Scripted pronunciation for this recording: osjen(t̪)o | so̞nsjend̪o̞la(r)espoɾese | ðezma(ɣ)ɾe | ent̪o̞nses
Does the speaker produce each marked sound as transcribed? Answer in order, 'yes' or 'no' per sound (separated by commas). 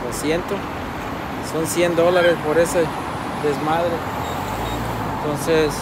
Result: yes, no, no